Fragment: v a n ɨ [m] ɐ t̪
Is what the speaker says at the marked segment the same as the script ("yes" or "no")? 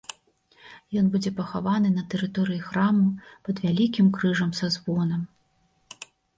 no